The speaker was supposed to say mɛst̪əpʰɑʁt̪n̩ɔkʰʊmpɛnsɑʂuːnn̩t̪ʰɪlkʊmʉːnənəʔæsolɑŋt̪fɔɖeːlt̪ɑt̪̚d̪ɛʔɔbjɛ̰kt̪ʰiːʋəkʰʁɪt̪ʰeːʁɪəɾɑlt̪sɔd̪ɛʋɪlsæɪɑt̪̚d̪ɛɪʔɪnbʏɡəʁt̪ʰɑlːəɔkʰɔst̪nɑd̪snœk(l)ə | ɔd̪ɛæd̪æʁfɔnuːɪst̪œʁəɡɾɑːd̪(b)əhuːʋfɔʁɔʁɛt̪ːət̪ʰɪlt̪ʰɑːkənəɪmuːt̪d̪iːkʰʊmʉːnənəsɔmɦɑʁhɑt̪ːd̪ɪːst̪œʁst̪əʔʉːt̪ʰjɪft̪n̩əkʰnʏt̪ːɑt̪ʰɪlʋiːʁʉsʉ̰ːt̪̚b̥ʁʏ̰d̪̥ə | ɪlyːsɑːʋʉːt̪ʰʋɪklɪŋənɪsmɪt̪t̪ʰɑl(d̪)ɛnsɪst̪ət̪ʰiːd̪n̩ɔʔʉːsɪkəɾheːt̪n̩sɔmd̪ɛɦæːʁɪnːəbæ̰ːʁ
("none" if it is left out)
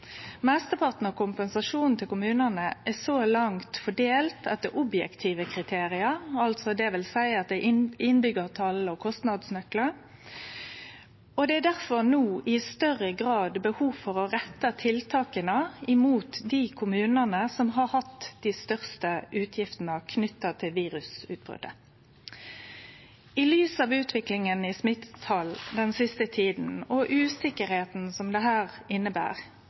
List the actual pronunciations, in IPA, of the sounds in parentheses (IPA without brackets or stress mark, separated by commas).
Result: l, b, d̪